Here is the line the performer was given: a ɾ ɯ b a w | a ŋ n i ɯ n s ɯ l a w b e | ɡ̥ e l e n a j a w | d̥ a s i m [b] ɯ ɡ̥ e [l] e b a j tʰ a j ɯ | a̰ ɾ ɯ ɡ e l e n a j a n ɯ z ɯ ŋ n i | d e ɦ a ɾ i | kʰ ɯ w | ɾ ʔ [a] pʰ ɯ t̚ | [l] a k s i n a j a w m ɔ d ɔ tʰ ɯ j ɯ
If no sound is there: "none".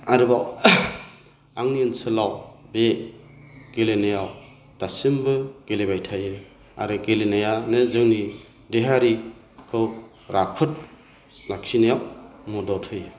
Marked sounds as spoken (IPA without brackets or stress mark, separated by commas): b, l, a, l